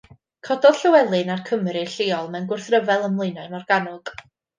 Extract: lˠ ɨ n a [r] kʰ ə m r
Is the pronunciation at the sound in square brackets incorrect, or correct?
correct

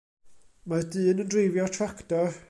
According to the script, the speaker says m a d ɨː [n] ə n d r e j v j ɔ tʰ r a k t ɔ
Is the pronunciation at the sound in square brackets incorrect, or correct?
correct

